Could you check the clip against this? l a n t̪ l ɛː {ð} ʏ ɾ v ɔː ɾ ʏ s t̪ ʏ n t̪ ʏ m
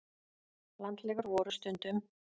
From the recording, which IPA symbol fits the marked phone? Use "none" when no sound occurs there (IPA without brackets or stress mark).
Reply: ɣ